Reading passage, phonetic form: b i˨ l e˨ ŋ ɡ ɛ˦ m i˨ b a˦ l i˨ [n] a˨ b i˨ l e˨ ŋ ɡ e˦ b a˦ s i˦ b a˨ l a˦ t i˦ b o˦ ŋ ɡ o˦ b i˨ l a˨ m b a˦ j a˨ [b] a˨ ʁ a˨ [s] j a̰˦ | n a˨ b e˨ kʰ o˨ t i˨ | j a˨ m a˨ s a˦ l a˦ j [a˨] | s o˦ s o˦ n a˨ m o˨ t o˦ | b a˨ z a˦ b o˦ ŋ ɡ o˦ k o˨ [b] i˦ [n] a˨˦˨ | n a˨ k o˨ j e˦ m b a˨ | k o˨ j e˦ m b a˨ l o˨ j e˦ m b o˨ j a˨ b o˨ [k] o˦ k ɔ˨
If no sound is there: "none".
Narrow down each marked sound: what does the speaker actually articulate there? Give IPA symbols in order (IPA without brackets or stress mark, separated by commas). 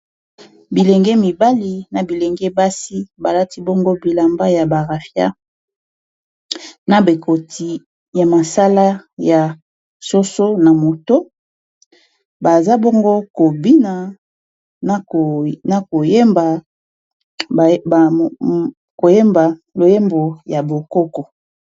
n, b, f, a˨, b, n, k